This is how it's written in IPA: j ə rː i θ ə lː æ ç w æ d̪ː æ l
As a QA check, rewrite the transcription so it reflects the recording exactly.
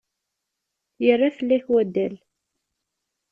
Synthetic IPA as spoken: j ə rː a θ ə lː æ ç w æ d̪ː æ l